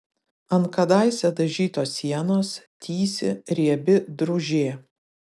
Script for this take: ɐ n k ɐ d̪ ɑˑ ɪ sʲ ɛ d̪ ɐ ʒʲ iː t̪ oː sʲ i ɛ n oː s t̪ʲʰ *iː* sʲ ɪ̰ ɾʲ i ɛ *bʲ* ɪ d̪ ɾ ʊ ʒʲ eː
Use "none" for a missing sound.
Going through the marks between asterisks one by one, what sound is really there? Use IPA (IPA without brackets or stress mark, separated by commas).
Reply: iː, bʲ